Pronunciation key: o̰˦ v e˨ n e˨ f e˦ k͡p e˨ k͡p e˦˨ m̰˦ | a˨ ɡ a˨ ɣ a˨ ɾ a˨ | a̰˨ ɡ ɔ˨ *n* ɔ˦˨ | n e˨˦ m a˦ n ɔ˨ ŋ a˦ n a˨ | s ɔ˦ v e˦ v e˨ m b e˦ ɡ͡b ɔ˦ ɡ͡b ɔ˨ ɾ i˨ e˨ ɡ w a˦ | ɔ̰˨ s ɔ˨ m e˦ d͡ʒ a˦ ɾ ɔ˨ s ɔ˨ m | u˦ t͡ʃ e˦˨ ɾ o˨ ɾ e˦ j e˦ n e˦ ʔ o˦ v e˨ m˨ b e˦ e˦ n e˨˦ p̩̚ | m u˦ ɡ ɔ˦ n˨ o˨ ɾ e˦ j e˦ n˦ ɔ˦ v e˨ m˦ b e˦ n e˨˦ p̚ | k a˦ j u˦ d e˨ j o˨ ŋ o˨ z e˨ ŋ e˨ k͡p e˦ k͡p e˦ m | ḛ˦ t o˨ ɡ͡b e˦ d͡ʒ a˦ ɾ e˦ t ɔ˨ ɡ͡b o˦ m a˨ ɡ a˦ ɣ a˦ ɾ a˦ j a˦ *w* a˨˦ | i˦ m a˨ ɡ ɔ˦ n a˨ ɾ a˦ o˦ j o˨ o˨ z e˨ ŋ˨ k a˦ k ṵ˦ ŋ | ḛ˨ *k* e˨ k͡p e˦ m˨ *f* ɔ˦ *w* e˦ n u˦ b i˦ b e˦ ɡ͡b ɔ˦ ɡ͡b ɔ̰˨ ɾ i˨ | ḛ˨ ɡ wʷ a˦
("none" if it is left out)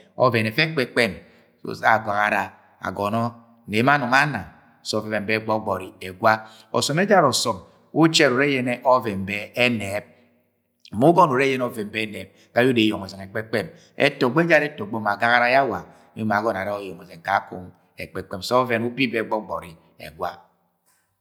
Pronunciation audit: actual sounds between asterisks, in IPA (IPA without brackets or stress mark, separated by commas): n, w, k͡p, s, v